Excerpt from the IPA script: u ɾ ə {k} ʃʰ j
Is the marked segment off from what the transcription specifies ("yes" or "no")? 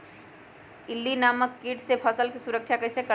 no